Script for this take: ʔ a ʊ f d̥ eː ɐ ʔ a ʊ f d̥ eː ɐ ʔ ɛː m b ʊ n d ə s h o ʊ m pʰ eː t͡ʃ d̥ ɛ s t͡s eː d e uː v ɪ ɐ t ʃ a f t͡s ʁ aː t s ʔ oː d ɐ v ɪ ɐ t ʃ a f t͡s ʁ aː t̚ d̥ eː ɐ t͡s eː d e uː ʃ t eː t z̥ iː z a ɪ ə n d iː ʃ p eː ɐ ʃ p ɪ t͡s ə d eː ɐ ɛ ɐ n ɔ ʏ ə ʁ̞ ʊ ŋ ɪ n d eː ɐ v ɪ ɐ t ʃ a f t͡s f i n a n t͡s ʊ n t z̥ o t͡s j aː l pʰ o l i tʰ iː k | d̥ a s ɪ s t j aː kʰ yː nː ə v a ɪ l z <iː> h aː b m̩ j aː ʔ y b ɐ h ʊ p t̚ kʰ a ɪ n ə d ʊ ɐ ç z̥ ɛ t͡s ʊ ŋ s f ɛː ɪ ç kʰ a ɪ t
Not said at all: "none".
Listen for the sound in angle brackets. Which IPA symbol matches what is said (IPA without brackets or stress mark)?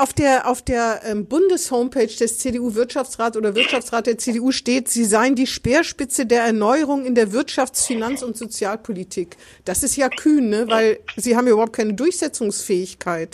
iː